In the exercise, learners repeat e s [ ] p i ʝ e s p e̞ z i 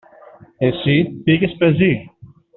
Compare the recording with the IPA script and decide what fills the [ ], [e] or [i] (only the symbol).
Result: i